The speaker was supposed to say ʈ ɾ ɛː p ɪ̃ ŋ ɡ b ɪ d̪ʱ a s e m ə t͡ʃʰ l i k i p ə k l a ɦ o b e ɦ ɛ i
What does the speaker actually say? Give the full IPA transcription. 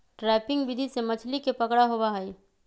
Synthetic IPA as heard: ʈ ɾ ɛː p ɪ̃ ŋ ɡ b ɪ d̪ʱ i s e m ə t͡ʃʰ l i k e p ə k ɽ a ɦ o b a ɦ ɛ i